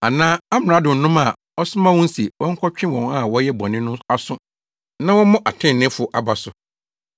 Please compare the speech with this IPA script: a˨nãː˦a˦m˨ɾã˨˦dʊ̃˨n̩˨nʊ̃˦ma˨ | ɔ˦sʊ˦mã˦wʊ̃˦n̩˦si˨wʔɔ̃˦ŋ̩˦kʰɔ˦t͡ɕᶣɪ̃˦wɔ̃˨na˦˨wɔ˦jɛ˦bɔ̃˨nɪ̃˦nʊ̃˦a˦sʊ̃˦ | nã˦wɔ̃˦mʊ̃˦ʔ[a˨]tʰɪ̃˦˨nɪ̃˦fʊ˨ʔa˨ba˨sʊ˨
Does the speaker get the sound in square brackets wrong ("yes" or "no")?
no